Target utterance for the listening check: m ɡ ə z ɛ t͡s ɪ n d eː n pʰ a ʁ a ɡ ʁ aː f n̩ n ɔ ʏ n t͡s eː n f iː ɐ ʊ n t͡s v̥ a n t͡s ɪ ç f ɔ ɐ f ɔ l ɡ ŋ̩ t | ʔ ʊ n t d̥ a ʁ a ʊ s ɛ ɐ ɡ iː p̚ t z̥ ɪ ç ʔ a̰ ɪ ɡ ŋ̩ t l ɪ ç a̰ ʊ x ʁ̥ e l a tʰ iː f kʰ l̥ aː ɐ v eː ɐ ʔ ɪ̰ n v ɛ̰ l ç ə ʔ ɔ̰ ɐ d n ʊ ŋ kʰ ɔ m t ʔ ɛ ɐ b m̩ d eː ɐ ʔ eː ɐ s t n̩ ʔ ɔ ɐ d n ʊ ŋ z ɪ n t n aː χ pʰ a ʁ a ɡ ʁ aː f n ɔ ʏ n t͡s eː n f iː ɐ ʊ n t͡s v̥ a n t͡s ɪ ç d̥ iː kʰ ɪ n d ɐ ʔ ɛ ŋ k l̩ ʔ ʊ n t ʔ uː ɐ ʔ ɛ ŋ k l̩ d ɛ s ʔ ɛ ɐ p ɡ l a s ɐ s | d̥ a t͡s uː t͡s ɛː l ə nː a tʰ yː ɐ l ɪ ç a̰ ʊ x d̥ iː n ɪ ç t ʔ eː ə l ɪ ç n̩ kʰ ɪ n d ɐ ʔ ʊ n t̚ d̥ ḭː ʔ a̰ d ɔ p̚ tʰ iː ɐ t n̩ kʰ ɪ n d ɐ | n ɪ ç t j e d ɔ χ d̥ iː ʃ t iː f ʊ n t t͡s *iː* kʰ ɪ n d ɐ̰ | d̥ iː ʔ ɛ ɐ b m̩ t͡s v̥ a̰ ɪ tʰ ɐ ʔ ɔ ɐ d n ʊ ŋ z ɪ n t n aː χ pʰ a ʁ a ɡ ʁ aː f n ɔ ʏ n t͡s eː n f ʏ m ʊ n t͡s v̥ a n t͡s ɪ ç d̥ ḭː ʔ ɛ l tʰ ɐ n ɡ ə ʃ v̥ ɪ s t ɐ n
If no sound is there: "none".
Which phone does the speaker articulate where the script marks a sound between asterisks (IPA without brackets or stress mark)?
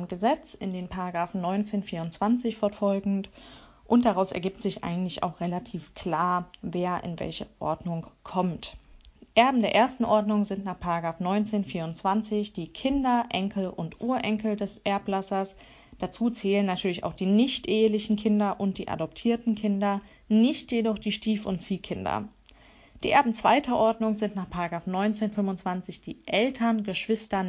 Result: iː